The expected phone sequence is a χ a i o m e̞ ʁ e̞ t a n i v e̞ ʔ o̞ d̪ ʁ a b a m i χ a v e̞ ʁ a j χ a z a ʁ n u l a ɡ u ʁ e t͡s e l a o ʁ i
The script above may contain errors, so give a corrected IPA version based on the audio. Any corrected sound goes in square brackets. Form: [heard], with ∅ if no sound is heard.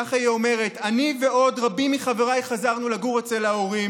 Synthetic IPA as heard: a χ a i o m e̞ ʁ e̞ t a n i v e̞ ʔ o̞ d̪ ʁ a b [i] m i χ a v e̞ ʁ a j χ a z a ʁ n u l a ɡ u ʁ e t͡s e l a o ʁ i